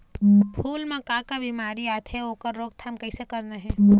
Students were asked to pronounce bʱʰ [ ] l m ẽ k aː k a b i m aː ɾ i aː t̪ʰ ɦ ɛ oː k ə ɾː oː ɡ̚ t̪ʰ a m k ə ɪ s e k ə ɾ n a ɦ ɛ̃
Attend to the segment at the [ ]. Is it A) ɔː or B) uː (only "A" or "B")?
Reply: B